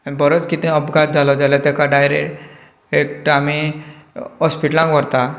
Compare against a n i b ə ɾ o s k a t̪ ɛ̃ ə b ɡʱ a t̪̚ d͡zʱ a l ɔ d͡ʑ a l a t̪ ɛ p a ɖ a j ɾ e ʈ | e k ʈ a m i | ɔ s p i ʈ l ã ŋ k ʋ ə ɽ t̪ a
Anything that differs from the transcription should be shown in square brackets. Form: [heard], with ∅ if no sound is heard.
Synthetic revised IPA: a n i b ə ɾ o [t͡s] k [i] t̪ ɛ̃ ə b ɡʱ a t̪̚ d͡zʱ a l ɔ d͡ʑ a l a t̪ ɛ [k] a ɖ a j ɾ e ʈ | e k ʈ a m i | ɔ s p i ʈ l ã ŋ k ʋ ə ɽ t̪ a